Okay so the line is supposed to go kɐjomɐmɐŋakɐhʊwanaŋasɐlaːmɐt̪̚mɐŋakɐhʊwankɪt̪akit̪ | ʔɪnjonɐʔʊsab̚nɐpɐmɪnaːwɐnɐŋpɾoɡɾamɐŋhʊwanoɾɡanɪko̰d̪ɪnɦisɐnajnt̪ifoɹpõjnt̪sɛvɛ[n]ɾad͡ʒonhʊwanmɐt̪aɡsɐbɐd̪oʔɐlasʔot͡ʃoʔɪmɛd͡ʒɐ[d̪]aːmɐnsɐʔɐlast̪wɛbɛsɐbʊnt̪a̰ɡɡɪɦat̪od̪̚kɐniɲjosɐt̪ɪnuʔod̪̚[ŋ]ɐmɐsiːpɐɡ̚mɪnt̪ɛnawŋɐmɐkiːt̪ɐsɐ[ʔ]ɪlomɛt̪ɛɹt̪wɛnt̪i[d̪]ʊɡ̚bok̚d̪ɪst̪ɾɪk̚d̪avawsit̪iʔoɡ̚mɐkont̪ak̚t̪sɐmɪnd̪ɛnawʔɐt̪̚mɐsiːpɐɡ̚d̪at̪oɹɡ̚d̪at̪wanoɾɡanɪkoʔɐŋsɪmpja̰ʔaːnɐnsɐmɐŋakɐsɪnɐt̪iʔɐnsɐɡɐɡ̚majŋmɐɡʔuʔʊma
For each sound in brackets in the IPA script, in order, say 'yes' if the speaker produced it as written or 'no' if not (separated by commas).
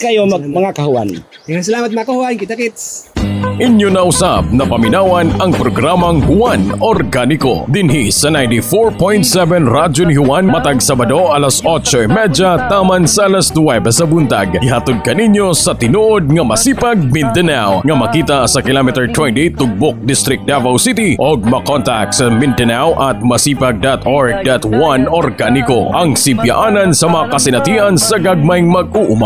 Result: yes, no, yes, no, no